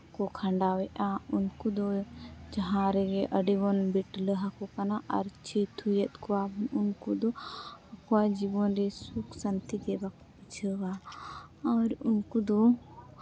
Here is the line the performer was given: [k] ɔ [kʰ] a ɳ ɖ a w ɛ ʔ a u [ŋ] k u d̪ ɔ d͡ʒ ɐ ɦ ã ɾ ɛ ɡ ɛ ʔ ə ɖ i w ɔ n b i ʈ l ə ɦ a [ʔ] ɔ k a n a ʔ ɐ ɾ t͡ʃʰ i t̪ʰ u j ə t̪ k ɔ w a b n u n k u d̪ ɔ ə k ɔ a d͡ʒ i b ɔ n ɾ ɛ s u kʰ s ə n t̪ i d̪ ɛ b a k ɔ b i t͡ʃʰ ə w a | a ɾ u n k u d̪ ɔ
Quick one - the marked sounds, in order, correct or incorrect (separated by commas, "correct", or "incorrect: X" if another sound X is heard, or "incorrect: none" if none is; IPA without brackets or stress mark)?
correct, correct, incorrect: n, incorrect: k